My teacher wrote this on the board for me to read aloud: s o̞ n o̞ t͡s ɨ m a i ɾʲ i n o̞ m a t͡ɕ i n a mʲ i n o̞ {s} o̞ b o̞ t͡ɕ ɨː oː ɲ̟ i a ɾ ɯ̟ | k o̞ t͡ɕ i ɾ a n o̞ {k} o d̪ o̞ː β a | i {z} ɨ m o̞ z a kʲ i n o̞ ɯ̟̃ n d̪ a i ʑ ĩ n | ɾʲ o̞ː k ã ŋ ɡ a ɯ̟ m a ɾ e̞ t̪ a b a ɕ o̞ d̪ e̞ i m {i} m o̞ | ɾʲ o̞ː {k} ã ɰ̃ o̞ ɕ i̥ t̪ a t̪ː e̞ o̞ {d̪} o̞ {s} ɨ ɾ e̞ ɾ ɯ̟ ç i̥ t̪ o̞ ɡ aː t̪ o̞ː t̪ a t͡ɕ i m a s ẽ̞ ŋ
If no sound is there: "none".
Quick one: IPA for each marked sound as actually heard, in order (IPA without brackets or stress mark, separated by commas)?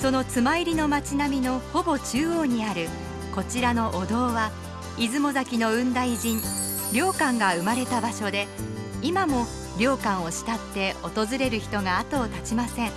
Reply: h, ʔ, z, a, k, t̪, z